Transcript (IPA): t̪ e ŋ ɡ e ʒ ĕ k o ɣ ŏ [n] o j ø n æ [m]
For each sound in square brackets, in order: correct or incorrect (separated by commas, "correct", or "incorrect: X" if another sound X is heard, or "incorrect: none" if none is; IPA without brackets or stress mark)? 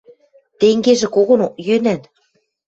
correct, incorrect: n